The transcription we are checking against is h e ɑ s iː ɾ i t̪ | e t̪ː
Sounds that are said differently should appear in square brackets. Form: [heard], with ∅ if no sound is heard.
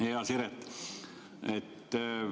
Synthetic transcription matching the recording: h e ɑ s [i] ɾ [e] t̪ | e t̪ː